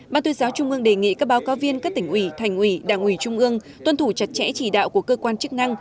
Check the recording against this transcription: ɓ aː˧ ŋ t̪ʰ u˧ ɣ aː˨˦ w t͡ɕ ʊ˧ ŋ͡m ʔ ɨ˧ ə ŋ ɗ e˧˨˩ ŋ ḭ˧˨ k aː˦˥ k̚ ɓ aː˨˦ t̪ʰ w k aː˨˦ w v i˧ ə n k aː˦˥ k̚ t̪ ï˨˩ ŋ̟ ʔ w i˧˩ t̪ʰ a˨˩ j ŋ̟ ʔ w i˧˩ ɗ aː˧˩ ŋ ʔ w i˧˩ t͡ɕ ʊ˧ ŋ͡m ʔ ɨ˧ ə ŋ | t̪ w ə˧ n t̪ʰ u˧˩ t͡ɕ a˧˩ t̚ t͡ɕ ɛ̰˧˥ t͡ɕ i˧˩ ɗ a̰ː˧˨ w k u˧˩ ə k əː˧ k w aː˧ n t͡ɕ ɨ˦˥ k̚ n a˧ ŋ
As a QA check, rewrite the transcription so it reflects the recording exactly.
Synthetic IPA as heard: ɓ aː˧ n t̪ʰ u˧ z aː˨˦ w t͡ɕ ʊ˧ ŋ͡m ʔ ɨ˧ ə ŋ ɗ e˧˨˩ ŋ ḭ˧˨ k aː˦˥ k̚ ɓ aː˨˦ w k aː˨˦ w v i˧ ə n k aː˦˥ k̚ t̪ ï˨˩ ŋ̟ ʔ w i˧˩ t̪ʰ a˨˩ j ŋ̟ ʔ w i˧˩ ɗ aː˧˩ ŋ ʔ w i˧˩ t͡ɕ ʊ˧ ŋ͡m ʔ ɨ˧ ə ŋ | t̪ w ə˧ n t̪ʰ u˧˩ t͡ɕ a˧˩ t̚ t͡ɕ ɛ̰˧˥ t͡ɕ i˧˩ ɗ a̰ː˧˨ w k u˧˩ ə k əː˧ k w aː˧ n t͡ɕ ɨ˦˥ k̚ n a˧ ŋ